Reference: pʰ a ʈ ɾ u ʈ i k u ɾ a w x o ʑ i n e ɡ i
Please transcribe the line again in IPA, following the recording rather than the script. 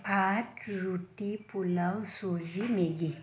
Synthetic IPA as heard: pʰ a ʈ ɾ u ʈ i p u l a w s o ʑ i m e ɡ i